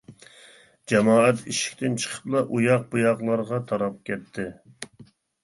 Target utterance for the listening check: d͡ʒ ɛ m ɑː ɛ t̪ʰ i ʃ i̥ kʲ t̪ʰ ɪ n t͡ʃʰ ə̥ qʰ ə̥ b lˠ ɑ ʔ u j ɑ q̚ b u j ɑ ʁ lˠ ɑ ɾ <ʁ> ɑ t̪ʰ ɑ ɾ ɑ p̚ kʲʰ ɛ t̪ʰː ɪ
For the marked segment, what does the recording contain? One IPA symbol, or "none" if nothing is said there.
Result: ʁ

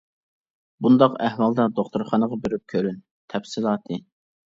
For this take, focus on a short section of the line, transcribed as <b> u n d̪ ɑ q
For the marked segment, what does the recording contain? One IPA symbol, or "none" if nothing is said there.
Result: b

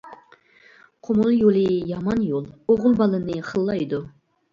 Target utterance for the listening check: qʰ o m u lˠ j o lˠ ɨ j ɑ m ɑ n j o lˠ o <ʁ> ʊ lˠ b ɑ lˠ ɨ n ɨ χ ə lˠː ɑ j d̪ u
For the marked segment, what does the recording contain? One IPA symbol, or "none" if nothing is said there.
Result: ʁ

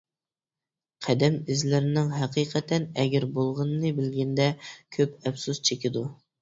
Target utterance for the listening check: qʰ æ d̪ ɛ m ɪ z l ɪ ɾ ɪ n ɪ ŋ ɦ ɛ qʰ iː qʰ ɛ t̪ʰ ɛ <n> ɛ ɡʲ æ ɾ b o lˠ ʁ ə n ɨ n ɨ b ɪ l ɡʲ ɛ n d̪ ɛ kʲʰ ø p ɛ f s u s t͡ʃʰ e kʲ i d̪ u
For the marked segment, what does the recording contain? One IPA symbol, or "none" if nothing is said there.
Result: n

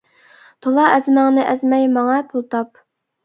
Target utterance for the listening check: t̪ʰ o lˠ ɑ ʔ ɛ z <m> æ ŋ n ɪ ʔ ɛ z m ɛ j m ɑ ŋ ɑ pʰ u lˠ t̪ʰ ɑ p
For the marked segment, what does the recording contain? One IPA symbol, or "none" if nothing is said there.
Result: m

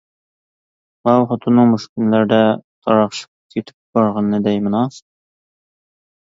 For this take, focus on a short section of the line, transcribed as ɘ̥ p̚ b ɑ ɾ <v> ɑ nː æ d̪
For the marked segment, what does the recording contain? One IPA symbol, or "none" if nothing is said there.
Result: ʁ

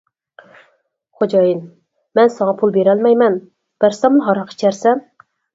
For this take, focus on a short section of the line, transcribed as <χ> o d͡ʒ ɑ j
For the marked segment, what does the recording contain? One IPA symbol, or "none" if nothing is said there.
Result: χ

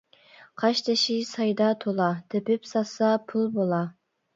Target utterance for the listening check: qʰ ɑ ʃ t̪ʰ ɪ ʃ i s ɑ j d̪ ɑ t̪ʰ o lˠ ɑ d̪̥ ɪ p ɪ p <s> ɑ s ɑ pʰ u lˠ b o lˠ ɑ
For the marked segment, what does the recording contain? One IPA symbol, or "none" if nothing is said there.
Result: s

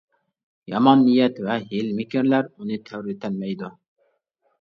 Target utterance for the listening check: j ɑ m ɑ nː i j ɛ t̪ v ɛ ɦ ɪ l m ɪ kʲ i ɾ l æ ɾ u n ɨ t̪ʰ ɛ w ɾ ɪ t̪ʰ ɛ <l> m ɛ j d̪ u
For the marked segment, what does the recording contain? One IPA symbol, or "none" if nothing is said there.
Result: l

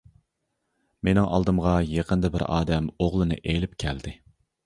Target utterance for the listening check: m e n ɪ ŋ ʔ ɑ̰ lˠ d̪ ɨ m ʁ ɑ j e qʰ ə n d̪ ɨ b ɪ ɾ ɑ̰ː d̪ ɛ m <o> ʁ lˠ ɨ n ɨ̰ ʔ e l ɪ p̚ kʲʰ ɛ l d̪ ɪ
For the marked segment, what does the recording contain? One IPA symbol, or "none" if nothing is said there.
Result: o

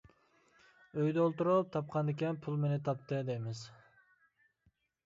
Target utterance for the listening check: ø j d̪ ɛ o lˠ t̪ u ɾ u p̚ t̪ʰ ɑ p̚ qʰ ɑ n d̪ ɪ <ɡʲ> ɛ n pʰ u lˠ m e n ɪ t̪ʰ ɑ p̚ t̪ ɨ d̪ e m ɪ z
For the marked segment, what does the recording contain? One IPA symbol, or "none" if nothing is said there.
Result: kʲ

